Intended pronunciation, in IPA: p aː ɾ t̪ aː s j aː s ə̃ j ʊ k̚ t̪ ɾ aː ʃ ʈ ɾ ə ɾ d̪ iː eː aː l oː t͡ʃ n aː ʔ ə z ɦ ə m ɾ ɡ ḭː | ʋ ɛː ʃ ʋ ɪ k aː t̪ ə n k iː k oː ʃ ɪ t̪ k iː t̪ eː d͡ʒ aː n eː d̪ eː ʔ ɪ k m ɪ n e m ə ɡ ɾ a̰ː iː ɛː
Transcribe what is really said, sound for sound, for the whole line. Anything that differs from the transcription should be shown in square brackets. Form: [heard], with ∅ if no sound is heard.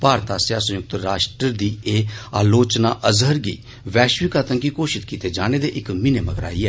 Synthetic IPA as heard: p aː ɾ t̪ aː s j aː s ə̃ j ʊ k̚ t̪ ɾ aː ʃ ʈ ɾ ə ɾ d̪ iː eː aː l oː t͡ʃ n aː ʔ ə z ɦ ə [∅] ɾ ɡ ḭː | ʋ ɛː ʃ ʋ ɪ k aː t̪ ə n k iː k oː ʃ ɪ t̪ k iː t̪ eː d͡ʒ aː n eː d̪ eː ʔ ɪ k m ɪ n e m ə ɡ ɾ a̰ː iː ɛː